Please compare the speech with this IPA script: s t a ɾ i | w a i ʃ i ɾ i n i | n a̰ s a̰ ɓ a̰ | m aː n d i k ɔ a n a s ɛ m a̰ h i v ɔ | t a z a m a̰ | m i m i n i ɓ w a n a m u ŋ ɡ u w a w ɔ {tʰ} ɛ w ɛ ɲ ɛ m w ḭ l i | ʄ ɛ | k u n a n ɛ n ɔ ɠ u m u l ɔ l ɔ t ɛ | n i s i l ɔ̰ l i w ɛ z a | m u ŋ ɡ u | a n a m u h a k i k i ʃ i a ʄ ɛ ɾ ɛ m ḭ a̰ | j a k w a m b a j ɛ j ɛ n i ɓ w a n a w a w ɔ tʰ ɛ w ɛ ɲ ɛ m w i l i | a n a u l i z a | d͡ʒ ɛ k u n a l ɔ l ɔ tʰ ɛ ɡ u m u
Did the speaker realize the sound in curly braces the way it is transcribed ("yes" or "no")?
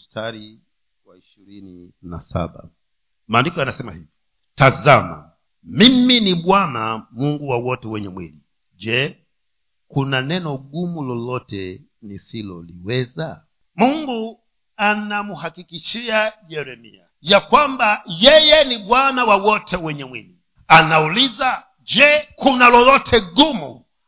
no